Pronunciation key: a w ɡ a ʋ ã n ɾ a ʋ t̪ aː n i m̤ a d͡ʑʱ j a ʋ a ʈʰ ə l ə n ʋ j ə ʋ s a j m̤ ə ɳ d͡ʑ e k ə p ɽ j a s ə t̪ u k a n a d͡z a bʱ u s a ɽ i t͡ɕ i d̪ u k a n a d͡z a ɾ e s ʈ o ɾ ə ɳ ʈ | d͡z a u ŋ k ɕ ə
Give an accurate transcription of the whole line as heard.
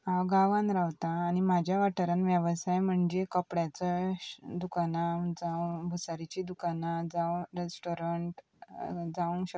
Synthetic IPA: a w ɡ a ʋ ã n ɾ a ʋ t̪ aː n i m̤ a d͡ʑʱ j a ʋ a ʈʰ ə ɾ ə n ʋ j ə ʋ s a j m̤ ə ɳ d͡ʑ e k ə p ɽ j a t͡s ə d̪ u k a n a d͡z a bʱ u s a ɾ i t͡ɕ i d̪ u k a n a d͡z a ɾ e s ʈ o ɾ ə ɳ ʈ | d͡z a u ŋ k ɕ ə